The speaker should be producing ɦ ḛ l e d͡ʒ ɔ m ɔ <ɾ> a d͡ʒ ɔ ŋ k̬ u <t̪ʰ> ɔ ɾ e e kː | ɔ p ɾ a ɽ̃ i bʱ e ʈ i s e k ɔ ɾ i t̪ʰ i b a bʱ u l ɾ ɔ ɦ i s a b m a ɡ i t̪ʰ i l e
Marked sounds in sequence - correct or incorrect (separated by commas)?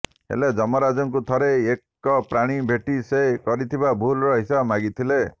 correct, correct